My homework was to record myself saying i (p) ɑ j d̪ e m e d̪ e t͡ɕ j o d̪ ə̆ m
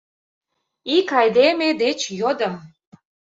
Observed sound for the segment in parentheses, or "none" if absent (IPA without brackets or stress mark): k